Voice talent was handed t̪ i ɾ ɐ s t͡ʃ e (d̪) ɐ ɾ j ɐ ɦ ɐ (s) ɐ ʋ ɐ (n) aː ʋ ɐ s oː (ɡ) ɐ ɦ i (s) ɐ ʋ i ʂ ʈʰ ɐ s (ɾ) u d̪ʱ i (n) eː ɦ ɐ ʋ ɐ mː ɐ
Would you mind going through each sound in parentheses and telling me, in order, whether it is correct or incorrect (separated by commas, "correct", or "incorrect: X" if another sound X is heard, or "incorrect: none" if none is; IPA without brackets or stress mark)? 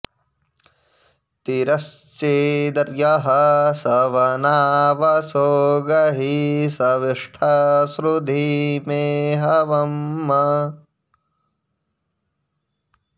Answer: correct, correct, correct, correct, correct, correct, incorrect: m